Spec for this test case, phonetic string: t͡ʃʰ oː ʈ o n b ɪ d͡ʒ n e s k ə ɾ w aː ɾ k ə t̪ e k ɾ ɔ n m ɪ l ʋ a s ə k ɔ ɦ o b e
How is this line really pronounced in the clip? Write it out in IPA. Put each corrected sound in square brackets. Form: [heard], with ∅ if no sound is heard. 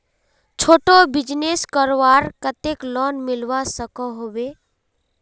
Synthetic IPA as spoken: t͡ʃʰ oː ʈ o [∅] b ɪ d͡ʒ n e s k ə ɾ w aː ɾ k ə t̪ e k [l] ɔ n m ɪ l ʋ a s ə k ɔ ɦ o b e